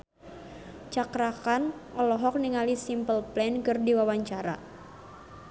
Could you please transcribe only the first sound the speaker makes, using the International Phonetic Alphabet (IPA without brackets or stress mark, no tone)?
t͡ʃ